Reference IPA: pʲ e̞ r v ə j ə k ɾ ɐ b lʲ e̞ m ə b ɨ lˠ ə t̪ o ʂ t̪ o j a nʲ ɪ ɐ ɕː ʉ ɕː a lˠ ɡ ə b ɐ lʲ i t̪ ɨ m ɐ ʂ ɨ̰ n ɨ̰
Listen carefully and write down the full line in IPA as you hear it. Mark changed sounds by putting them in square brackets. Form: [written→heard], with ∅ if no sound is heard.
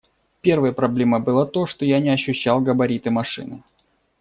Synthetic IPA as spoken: pʲ e̞ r v ə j ə [k→p] ɾ ɐ b lʲ e̞ m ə b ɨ lˠ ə t̪ o ʂ t̪ o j a nʲ ɪ ɐ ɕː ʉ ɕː a lˠ ɡ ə b ɐ [lʲ→ɾʲ] i t̪ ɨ m ɐ ʂ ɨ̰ n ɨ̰